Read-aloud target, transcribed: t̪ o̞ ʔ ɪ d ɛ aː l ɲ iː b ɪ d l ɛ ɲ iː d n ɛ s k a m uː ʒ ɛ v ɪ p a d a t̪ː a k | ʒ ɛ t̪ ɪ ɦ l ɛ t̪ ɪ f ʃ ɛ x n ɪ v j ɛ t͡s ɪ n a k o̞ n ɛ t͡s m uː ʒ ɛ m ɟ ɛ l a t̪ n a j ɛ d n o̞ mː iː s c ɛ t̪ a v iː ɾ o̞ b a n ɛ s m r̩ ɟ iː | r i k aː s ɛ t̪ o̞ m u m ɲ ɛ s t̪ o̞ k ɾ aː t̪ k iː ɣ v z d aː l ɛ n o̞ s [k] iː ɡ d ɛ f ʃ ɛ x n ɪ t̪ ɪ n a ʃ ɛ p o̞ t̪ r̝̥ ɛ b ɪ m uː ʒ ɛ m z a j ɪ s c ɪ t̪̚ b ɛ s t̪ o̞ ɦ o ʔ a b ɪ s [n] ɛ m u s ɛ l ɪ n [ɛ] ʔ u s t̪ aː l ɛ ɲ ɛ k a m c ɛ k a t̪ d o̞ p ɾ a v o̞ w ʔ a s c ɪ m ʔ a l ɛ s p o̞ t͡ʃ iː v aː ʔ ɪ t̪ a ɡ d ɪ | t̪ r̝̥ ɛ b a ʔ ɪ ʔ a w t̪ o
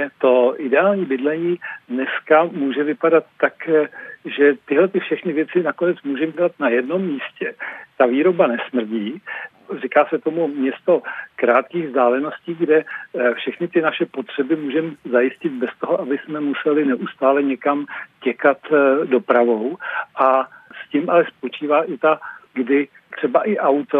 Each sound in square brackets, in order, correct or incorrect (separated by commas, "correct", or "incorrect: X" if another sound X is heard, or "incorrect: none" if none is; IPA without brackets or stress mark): incorrect: c, incorrect: m, correct